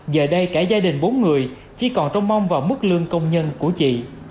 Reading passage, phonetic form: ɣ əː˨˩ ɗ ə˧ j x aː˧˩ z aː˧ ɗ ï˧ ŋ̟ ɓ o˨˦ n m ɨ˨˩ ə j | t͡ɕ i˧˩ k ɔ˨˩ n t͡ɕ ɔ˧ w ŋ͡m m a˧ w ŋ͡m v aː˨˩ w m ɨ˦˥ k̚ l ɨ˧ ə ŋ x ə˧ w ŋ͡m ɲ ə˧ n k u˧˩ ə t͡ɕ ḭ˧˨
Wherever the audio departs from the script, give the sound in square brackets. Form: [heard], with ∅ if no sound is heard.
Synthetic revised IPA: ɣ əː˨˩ ɗ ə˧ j [k] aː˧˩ z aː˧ ɗ [ï˨˩] ŋ̟ ɓ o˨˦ n [ŋ] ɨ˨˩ ə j | t͡ɕ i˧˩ k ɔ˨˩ n t͡ɕ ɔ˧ w ŋ͡m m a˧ w ŋ͡m v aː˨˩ w m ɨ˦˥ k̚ l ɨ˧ ə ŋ [k] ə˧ w ŋ͡m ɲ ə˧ n k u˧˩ ə t͡ɕ ḭ˧˨